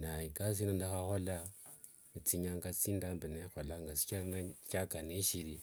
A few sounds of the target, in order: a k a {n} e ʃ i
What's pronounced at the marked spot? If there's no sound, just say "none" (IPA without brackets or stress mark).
n